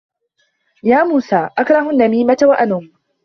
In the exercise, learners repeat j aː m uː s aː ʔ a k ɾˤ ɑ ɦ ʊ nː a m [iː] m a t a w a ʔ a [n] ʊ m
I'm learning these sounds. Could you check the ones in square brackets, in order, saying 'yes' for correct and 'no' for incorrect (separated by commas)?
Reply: yes, yes